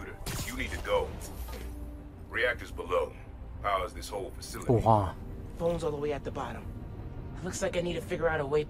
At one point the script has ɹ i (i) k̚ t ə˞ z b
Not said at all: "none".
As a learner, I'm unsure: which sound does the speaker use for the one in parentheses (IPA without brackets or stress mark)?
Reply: æ